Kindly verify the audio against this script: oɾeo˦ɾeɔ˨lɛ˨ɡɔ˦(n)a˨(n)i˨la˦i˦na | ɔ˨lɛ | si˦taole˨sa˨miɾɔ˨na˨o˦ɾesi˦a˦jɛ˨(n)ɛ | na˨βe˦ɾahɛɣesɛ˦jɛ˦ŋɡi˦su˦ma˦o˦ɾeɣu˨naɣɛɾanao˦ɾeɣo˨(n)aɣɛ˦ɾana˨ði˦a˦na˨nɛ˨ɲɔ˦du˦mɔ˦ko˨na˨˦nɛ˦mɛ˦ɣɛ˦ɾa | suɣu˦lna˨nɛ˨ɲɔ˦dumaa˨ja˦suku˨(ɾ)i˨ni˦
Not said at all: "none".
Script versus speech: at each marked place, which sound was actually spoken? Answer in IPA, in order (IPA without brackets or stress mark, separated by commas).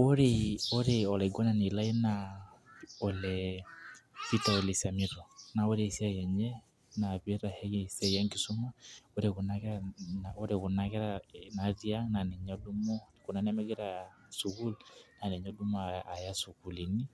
n, n, ɲ, n, l